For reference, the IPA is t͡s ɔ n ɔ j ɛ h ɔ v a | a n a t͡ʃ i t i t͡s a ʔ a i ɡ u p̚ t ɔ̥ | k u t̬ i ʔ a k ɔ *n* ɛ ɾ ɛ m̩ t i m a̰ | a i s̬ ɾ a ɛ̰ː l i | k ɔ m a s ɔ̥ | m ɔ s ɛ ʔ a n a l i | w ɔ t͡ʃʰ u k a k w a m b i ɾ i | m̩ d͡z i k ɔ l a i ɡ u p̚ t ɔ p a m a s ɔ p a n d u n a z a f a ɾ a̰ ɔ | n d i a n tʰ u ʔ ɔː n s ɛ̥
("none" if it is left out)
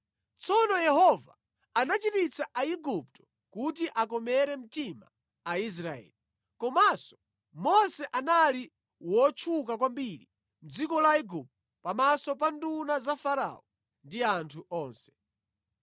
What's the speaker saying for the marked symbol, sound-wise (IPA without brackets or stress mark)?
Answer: m